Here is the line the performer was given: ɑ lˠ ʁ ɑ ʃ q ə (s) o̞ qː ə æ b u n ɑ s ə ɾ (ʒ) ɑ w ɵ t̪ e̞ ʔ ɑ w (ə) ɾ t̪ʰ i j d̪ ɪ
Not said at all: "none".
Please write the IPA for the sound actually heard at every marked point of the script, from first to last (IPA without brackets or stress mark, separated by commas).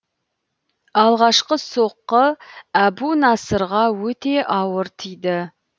s, ʁ, ə